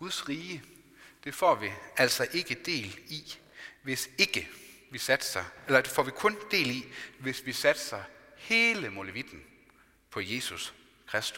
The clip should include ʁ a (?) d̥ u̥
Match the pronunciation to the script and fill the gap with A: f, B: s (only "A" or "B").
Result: B